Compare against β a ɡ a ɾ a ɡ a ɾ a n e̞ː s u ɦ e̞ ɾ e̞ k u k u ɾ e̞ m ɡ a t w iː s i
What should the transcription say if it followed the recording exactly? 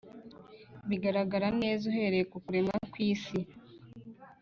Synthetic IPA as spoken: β i ɡ a ɾ a ɡ a ɾ a n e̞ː z u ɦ e̞ ɾ e̞ k u k u ɾ e̞ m ɡ a k w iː s i